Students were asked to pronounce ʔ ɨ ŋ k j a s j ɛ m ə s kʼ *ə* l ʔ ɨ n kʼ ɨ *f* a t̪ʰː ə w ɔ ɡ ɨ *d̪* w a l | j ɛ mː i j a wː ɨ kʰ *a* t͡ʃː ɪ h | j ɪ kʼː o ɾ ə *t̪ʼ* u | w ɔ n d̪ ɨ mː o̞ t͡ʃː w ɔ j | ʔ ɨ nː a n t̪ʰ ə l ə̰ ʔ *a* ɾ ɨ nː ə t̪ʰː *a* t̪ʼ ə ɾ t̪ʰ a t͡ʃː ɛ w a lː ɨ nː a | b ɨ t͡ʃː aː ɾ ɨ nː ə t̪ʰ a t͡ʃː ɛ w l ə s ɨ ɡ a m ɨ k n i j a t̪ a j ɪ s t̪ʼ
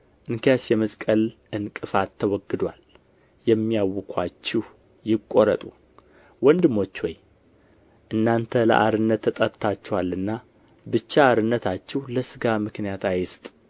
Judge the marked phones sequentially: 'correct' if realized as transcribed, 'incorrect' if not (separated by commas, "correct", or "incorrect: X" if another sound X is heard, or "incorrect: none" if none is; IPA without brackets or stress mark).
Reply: correct, correct, correct, correct, correct, correct, incorrect: ə